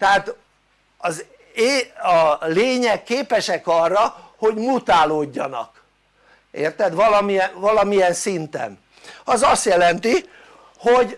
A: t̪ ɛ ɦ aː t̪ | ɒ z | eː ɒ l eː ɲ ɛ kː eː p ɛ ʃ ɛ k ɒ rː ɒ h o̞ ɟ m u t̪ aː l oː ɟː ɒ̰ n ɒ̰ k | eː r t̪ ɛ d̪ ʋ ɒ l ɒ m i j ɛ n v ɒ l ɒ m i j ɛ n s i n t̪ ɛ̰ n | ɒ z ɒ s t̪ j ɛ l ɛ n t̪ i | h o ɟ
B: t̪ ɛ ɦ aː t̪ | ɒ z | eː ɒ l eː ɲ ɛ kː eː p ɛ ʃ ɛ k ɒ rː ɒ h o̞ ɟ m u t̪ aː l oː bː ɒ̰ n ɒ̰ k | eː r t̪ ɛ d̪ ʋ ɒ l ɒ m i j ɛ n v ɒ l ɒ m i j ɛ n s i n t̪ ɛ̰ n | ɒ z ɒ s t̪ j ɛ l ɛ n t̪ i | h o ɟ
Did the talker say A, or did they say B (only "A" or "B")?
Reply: A